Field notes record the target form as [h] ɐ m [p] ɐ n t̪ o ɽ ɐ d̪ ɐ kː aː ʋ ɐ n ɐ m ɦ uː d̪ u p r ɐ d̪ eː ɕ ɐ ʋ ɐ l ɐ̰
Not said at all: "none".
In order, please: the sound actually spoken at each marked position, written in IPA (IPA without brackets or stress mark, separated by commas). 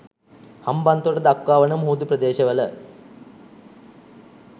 h, b